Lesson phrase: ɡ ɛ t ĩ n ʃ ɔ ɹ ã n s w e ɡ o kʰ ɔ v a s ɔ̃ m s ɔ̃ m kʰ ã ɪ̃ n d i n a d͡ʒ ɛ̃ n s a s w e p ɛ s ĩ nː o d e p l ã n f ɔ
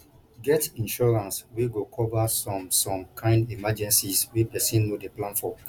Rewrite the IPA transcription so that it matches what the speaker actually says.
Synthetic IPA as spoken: ɡ ɛ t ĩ n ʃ ɔ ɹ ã n s w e ɡ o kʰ ɔ v a s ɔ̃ m s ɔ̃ m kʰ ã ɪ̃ n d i m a d͡ʒ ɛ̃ n s i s w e p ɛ s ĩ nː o d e p l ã n f ɔ